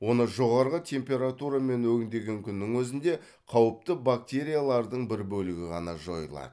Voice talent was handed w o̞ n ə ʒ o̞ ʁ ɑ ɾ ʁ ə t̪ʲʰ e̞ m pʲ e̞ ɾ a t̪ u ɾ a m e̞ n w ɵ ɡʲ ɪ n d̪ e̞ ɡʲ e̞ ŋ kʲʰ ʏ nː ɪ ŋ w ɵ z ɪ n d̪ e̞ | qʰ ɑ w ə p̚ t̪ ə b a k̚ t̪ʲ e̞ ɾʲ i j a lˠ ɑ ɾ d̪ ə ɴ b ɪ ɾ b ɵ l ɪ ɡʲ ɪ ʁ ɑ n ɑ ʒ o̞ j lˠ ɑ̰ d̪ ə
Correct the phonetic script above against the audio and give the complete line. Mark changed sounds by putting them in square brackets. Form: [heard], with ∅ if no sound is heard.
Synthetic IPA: w o̞ n ə ʒ o̞ ʁ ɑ ɾ ʁ ə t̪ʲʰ e̞ m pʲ e̞ ɾ a t̪ u ɾ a m e̞ n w ɵ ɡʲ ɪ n d̪ e̞ ɡʲ e̞ ŋ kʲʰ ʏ nː ɪ ŋ w ɵ z ɪ n d̪ e̞ | qʰ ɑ w ə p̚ t̪ ə b a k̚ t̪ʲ e̞ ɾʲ i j a lˠ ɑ ɾ d̪ ə ɴ b ɪ ɾ b ɵ l ɪ ɡʲ ɪ ʁ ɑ n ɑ ʒ o̞ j lˠ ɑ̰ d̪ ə